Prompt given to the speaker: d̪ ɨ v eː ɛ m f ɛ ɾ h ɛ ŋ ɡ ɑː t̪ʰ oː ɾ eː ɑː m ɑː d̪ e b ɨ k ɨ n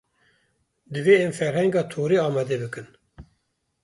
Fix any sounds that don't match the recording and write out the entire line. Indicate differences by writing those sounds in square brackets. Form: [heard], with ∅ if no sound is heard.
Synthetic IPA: d̪ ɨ v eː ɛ m f ɛ ɾ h ɛ ŋ ɡ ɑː t̪ʰ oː ɾ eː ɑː m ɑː d̪ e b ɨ k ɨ n